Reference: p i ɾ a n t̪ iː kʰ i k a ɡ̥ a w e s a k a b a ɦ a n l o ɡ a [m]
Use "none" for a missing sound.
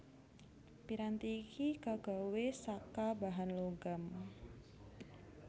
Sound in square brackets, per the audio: m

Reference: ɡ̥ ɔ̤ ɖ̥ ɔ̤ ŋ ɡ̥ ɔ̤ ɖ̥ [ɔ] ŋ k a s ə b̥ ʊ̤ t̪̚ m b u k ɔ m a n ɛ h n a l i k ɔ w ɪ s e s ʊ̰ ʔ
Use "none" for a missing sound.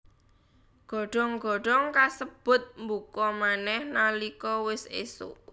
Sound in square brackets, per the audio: ɔ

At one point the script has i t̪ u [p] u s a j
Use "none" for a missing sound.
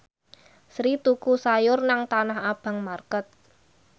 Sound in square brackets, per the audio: k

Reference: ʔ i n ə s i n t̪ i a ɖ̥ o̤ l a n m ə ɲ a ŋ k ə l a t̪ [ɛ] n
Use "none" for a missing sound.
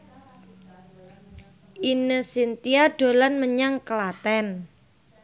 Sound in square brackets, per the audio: ɛ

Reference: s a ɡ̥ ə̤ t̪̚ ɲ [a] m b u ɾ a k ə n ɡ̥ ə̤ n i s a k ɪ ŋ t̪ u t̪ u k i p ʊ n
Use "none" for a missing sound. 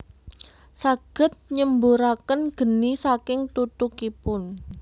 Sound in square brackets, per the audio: ə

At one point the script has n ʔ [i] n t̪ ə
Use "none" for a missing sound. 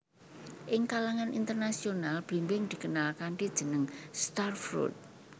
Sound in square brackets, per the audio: i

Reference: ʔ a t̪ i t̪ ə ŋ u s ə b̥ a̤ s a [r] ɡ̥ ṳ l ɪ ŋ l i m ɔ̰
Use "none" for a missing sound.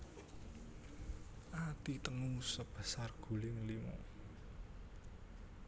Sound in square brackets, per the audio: r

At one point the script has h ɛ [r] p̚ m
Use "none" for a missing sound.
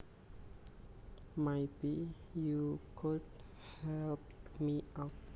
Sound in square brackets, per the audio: l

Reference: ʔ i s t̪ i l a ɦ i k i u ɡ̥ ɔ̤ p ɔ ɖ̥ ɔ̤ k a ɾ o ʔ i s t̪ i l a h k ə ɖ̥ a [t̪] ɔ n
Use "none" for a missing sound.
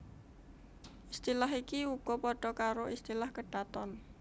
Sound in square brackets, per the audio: t̪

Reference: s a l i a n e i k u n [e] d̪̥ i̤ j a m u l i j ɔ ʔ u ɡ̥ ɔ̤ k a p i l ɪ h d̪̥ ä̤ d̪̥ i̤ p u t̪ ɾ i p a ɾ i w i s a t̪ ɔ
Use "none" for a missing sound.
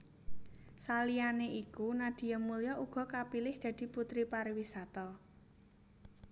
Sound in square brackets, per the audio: a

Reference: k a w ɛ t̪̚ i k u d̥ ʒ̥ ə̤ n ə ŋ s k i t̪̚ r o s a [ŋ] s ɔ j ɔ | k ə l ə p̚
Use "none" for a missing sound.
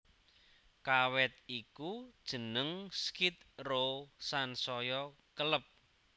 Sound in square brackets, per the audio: n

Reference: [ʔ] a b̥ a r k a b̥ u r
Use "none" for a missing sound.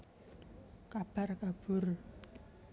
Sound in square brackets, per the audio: k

